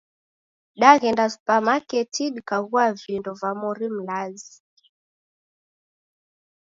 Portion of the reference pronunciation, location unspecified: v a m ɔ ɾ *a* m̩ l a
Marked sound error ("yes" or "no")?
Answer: yes